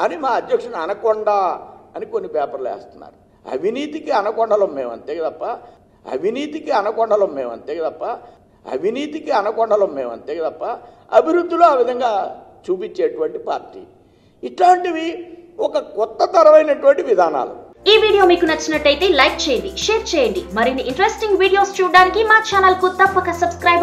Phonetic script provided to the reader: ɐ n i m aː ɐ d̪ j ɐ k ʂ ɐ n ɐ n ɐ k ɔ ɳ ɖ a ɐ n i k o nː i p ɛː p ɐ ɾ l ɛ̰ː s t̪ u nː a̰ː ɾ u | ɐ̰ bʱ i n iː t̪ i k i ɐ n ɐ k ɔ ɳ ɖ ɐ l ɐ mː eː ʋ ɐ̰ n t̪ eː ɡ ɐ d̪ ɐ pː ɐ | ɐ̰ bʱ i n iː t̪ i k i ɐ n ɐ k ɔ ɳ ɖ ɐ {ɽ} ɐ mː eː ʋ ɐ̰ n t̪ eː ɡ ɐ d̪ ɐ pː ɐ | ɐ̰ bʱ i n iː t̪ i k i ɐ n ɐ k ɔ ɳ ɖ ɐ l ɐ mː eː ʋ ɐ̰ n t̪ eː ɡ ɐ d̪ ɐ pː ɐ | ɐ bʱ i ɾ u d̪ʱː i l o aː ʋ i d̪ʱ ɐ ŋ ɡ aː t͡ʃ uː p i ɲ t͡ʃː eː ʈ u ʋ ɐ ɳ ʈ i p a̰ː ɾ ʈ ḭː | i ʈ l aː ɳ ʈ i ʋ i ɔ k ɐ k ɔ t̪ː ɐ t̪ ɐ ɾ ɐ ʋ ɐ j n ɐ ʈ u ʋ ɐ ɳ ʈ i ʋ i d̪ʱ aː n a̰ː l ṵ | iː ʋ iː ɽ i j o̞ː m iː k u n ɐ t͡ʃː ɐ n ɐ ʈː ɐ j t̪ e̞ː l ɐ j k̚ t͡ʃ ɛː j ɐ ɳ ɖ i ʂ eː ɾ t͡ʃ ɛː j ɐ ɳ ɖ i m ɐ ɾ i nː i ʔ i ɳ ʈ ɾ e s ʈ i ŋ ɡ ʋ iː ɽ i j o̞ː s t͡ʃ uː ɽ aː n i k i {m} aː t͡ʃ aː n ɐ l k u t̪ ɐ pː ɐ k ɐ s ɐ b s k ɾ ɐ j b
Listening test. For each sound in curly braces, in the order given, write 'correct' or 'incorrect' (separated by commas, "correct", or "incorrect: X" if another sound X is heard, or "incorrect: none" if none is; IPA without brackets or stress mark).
incorrect: l, correct